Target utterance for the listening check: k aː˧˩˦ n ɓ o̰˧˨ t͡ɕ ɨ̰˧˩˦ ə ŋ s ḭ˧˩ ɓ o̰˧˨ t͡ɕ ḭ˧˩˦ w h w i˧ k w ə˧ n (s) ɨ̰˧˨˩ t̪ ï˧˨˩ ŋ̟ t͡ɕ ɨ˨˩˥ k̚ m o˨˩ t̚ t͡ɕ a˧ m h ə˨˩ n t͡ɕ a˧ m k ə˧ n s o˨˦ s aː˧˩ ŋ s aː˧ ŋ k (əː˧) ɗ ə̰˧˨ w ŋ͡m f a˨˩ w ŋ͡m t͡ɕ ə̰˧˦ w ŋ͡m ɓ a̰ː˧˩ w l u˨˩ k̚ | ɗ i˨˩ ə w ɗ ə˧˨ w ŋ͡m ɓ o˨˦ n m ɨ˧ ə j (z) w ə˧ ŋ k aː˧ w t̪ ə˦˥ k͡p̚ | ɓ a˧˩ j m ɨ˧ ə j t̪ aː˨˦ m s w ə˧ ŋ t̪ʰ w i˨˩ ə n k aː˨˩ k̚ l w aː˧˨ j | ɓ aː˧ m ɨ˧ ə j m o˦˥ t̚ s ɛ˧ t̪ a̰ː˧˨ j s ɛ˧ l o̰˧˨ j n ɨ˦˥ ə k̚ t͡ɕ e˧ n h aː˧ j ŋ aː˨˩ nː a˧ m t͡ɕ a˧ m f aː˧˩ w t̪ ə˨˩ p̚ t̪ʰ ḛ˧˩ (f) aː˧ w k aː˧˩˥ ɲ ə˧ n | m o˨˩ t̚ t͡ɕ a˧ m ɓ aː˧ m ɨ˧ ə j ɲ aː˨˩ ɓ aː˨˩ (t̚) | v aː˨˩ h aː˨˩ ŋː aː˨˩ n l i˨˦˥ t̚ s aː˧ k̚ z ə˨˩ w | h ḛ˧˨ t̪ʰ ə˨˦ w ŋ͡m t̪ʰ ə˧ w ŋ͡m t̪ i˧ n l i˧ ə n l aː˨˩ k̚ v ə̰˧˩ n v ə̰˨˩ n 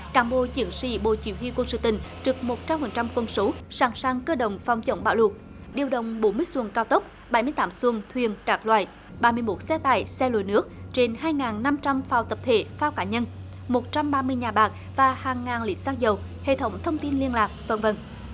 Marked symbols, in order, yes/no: yes, yes, no, yes, no

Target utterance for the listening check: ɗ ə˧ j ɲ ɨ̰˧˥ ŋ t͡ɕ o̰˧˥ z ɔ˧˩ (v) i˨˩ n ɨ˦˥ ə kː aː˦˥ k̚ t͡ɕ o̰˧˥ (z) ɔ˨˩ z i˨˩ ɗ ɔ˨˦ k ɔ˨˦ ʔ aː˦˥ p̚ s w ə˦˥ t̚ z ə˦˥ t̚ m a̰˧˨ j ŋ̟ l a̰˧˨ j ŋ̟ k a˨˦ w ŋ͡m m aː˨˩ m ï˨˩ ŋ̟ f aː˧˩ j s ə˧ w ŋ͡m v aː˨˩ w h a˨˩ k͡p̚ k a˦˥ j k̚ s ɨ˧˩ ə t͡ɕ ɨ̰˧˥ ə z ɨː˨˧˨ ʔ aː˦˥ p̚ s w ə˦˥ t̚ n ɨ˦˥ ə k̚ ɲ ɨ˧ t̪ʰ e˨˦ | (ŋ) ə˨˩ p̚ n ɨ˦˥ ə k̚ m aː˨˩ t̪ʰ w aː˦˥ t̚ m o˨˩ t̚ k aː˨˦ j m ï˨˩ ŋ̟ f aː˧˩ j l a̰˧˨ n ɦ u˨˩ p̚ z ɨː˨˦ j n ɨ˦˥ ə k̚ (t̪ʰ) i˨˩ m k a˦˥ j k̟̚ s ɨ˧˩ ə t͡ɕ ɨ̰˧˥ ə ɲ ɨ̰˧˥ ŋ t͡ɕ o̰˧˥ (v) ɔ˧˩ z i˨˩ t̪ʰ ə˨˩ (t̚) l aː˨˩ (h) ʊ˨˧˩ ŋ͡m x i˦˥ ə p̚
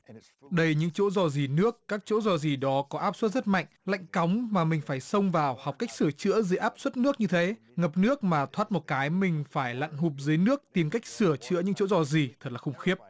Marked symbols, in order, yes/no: no, yes, yes, no, no, yes, no

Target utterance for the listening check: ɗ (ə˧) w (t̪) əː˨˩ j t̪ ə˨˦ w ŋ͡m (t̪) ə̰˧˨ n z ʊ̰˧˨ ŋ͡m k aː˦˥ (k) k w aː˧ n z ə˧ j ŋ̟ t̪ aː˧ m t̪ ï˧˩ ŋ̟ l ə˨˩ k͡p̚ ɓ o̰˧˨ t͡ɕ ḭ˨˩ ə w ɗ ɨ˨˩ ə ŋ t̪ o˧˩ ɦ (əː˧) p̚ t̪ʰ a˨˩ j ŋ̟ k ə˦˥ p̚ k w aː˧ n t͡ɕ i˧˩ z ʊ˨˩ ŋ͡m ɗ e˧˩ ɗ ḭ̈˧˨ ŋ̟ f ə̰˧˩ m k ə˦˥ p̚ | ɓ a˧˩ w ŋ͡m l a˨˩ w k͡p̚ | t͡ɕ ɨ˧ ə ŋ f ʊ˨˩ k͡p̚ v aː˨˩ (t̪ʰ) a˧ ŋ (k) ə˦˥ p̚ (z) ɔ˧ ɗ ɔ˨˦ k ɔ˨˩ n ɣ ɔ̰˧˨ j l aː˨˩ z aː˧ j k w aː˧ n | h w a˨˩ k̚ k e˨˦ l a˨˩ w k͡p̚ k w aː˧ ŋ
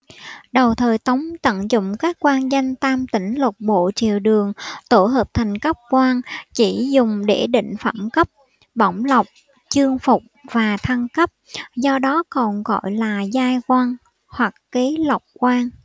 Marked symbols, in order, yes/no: no, no, yes, yes, no, yes, yes, yes

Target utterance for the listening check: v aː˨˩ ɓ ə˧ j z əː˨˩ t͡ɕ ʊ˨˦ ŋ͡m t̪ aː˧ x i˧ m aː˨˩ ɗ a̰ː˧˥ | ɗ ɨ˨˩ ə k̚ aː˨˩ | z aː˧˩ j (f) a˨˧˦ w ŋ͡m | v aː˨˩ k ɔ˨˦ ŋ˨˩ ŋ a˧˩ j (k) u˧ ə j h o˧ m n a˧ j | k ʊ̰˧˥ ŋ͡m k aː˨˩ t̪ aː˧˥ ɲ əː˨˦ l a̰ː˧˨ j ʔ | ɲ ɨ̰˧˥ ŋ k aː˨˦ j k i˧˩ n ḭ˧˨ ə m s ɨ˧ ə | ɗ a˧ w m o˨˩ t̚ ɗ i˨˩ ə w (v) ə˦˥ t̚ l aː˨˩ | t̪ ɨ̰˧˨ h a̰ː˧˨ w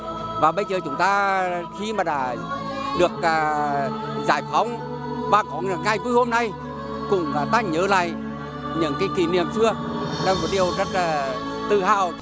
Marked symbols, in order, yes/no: yes, yes, no

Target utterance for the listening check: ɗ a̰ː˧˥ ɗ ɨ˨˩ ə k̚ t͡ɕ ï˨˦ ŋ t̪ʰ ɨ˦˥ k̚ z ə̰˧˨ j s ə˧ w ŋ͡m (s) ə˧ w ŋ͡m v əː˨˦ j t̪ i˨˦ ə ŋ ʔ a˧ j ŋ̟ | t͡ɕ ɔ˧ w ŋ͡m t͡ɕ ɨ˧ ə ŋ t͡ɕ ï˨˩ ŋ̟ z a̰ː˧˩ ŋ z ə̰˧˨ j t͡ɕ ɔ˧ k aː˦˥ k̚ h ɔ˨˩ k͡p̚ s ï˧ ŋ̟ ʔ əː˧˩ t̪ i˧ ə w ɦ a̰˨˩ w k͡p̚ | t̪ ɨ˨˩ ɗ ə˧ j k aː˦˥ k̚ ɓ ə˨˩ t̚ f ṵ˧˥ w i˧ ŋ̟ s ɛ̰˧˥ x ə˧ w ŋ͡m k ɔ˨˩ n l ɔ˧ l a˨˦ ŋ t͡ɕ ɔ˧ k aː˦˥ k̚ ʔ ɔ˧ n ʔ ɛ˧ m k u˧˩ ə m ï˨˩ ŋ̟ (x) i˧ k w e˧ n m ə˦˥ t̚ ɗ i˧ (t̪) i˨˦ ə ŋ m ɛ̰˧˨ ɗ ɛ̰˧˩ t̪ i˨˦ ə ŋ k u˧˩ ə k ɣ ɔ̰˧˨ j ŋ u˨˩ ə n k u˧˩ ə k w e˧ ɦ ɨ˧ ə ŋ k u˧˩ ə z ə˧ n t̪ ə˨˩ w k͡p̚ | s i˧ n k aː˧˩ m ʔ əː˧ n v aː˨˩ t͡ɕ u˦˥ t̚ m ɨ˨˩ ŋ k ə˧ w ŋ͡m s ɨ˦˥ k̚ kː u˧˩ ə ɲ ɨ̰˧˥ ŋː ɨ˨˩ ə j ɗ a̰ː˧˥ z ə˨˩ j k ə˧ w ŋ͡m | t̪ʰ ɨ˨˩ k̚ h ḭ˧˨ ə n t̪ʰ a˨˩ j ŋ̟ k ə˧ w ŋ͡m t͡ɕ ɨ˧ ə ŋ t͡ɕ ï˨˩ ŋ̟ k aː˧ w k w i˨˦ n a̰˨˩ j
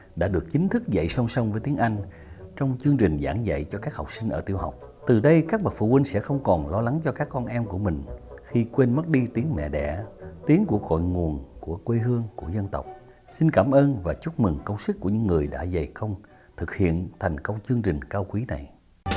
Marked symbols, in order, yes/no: yes, yes, yes

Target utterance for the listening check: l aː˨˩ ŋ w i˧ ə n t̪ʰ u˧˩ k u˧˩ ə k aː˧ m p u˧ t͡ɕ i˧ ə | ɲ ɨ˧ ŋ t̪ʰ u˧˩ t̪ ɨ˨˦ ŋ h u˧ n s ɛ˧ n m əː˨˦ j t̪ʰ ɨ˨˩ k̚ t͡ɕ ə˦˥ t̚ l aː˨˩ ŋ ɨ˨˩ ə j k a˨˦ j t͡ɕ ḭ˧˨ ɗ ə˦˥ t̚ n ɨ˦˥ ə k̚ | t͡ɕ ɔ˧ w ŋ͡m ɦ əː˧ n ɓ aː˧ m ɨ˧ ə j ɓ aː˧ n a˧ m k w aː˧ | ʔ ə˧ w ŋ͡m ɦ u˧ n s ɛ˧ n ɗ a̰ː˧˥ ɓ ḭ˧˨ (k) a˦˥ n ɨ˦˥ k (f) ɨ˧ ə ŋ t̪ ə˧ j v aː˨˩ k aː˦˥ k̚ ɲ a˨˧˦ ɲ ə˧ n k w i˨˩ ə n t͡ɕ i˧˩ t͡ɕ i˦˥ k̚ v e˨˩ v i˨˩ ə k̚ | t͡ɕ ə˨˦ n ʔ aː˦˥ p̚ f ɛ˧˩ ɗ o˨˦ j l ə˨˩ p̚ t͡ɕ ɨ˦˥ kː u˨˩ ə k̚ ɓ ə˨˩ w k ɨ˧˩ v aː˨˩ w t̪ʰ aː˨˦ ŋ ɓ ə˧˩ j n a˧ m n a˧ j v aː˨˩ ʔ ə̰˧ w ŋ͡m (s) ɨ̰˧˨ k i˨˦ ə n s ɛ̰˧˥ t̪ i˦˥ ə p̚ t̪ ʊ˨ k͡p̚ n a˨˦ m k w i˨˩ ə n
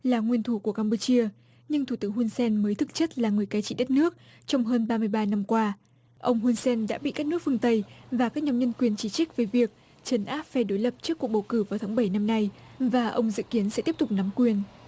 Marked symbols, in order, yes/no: yes, yes, no

